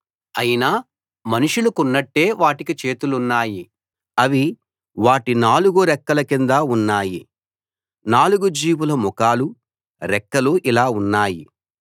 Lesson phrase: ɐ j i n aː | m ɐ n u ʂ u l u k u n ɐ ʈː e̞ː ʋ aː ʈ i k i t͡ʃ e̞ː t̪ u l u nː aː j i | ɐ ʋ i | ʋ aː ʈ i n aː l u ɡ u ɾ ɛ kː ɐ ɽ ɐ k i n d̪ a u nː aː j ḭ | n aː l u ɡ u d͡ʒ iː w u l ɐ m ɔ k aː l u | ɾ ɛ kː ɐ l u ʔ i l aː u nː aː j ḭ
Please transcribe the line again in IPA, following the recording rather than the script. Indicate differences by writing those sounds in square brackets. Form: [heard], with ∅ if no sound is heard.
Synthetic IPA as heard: ɐ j i n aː | m ɐ n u ʂ u l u k u [nː] ɐ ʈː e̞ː ʋ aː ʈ i k i t͡ʃ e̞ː t̪ u l u nː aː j i | ɐ ʋ i | ʋ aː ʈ i n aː l u ɡ u ɾ ɛ kː ɐ [l] ɐ k i n d̪ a u nː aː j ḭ | n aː l u ɡ u d͡ʒ iː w u l ɐ m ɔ k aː l u | ɾ ɛ kː ɐ l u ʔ i l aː u nː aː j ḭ